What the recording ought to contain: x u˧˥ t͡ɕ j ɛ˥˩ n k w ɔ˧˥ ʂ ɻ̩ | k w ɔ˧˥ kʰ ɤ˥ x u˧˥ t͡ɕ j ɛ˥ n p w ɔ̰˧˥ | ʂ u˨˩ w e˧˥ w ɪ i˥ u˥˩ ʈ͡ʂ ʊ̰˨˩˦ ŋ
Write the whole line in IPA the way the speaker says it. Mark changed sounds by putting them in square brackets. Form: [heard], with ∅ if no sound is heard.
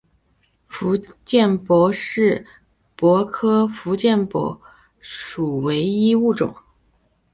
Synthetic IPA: [f] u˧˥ t͡ɕ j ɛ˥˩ n [p] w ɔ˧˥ ʂ ɻ̩ | [p] w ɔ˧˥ kʰ ɤ˥ [f] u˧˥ t͡ɕ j [ɛ˥˩] n p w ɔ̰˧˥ | ʂ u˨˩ w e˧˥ [∅] ɪ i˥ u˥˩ ʈ͡ʂ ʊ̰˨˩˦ ŋ